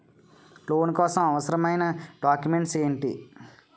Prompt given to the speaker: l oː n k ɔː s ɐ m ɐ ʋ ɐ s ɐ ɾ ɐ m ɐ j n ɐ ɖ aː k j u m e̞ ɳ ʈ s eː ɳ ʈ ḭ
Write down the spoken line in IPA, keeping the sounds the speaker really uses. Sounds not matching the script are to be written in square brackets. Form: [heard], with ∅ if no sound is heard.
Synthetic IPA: l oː n k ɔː s ɐ m ɐ ʋ ɐ s ɐ ɾ ɐ m ɐ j n ɐ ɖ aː k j u m e̞ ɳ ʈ s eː ɳ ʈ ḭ